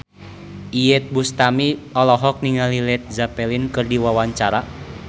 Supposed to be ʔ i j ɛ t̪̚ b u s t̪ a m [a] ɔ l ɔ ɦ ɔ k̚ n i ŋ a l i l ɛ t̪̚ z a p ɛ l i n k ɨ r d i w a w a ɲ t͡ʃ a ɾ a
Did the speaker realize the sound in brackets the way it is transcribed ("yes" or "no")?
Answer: no